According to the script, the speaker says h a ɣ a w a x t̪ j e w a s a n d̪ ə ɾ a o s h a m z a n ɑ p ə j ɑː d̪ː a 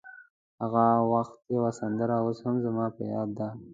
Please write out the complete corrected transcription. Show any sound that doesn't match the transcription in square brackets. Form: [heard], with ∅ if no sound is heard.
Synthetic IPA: h a ɣ a w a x t̪ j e w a s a n d̪ ə ɾ a o s h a m z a [m] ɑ p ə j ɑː d̪ː a